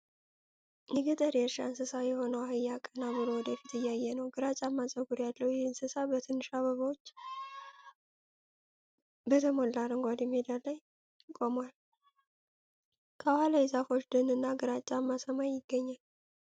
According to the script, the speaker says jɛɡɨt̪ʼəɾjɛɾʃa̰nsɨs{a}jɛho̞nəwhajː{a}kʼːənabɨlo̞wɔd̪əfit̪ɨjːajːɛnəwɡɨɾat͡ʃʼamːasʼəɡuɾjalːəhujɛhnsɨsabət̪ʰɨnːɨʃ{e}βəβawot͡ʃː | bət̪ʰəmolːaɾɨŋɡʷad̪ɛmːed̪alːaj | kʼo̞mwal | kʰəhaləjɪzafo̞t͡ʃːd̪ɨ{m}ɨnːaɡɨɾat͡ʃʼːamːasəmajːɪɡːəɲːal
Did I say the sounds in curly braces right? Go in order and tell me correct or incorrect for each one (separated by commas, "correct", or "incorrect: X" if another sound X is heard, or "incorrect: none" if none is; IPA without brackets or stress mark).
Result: correct, correct, incorrect: a, incorrect: n